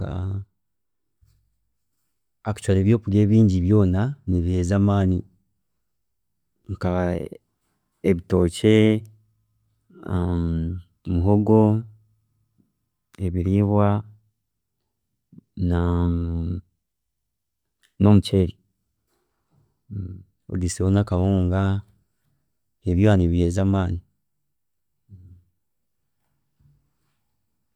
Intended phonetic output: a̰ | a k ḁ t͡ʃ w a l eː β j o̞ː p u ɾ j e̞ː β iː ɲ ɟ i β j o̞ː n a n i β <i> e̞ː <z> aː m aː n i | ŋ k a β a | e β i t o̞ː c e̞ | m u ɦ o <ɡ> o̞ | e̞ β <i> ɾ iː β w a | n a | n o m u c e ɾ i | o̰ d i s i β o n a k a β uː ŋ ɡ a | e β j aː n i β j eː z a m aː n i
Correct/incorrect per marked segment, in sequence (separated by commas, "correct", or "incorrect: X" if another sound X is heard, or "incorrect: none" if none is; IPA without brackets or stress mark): correct, correct, correct, correct